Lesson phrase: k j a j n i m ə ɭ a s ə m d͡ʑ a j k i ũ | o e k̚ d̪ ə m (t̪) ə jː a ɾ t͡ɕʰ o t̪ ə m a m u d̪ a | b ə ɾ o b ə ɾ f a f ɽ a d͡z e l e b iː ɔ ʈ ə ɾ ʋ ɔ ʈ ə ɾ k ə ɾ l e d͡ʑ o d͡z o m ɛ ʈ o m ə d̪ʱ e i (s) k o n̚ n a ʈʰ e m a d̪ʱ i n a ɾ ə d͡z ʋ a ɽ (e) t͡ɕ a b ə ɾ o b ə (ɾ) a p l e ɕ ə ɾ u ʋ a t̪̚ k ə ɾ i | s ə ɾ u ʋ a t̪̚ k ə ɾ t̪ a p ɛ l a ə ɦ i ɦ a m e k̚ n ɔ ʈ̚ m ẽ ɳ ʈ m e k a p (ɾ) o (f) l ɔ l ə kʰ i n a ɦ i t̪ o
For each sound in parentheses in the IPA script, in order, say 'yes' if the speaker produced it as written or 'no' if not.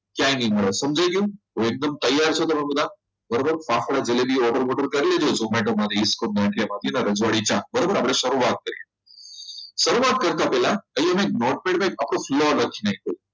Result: yes, yes, no, yes, no, yes

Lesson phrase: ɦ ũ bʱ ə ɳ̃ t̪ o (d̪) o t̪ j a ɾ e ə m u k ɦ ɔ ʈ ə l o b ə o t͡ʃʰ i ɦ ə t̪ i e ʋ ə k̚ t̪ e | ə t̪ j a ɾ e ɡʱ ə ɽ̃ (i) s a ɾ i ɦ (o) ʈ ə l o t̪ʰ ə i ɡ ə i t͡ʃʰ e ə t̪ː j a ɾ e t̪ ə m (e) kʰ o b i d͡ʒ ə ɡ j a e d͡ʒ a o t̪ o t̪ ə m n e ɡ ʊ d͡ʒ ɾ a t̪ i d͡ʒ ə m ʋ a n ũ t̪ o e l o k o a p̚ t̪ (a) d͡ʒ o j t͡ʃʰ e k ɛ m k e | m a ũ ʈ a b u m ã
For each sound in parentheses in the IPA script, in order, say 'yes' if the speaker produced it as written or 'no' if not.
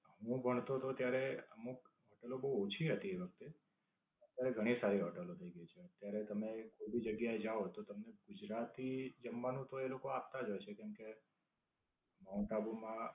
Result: no, yes, no, yes, yes

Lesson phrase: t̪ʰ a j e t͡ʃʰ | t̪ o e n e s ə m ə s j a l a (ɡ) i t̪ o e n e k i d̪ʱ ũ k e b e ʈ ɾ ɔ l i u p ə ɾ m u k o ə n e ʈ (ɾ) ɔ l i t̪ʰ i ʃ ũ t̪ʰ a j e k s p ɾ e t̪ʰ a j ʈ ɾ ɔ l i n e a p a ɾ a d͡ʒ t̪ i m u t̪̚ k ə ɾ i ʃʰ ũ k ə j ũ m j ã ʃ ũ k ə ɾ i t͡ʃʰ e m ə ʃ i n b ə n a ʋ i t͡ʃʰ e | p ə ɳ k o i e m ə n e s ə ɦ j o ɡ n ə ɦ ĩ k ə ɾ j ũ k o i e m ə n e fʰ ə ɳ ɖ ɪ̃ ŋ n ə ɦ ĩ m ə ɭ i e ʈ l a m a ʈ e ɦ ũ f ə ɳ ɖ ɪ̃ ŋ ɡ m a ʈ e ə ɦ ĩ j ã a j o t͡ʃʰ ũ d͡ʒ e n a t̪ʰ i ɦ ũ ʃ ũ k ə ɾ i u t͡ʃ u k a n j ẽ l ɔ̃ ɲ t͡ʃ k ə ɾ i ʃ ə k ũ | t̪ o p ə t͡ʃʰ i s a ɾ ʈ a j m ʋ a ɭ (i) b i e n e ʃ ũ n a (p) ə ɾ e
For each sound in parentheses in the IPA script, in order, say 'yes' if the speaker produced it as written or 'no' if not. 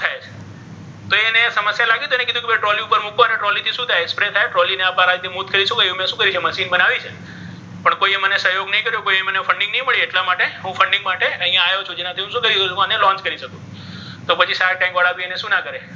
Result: yes, yes, no, no

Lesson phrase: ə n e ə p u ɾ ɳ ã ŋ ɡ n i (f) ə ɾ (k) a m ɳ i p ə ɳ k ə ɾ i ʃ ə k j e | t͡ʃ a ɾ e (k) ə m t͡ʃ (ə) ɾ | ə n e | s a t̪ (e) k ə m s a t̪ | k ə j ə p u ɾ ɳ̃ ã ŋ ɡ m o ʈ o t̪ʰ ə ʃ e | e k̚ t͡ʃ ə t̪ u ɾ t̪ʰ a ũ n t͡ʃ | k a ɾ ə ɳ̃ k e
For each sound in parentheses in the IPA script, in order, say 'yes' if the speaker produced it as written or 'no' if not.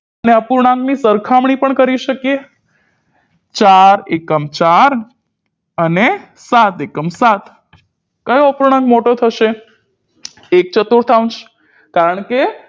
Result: no, no, yes, no, yes

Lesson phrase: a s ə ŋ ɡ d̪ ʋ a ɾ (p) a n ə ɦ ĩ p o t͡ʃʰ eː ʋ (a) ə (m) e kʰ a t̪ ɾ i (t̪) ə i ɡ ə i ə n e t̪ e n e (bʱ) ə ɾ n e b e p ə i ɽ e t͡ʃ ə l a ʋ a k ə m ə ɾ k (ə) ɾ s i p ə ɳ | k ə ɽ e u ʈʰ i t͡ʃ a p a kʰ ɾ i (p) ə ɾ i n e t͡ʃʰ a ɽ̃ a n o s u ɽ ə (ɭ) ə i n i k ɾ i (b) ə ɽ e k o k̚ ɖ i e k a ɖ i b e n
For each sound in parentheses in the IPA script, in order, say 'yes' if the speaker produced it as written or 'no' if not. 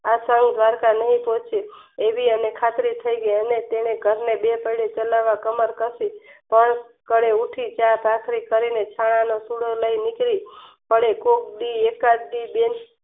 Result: no, no, no, no, no, yes, no, no, no

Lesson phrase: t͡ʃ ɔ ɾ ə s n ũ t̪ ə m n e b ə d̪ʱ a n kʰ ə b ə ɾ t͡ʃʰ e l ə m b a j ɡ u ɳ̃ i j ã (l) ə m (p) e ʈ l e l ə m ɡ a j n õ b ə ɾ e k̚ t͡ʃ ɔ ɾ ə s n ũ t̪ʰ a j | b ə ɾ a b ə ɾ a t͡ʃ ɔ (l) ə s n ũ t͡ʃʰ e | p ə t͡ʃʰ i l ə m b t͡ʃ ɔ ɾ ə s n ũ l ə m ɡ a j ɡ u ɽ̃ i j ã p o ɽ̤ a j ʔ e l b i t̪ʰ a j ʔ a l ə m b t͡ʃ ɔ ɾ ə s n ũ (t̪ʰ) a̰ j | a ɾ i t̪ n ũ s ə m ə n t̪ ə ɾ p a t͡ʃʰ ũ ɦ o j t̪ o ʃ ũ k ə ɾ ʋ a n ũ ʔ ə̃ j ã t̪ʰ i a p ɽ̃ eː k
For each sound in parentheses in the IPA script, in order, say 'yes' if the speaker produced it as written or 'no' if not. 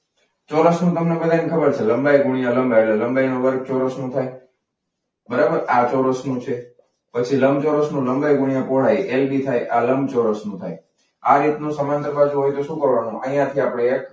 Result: yes, no, no, yes

